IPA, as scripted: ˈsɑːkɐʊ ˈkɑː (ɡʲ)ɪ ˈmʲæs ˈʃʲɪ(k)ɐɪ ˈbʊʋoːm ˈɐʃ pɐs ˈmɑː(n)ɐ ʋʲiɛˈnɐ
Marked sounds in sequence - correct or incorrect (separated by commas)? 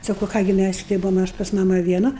correct, incorrect, incorrect